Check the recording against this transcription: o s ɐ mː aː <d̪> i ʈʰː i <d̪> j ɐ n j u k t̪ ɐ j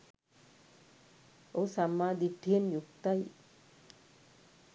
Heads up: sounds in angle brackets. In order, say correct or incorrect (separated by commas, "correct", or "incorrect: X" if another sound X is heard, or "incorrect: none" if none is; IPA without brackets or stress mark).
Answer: correct, incorrect: none